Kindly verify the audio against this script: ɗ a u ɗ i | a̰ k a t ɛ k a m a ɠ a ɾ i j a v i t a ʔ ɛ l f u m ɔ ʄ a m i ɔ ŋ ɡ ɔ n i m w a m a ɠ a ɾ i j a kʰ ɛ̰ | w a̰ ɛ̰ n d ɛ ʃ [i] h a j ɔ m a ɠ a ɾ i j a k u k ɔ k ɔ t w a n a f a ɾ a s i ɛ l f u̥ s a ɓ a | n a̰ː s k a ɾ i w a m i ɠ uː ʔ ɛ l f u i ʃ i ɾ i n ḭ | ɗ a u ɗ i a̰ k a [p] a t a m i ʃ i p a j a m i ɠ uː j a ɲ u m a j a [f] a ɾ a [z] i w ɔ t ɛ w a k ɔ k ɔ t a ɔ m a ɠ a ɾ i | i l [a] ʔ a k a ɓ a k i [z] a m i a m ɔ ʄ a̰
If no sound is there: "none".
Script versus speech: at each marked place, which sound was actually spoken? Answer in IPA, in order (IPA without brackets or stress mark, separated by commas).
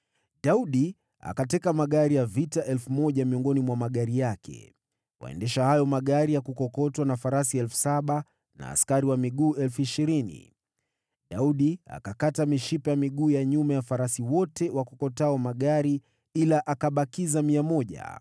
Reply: a, k, f, s, a, z